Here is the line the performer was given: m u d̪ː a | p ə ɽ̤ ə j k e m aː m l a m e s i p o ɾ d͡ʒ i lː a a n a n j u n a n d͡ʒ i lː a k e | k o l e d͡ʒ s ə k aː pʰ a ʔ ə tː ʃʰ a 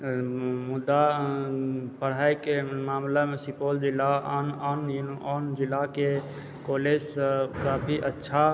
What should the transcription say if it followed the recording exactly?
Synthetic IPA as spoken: m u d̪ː a | p ə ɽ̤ a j k e m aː m l a m e s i p o l d͡ʒ i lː a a n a n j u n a n d͡ʒ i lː a k e | k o l e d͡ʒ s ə k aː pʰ i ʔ ə tː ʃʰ a